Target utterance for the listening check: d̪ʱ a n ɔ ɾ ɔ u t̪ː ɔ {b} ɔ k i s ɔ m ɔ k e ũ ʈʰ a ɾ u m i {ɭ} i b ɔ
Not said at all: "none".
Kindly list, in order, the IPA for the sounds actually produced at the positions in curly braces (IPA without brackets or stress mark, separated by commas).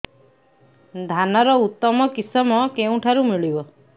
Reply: m, ɭ